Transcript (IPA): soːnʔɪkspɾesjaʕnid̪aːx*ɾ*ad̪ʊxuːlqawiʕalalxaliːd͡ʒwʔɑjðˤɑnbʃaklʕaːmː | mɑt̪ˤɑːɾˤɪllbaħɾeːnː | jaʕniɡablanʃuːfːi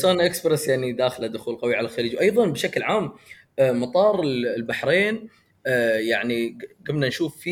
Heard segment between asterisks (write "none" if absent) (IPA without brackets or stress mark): l